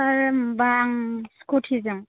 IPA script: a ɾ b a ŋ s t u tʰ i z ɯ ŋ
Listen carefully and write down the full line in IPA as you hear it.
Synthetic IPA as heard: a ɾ b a ŋ s k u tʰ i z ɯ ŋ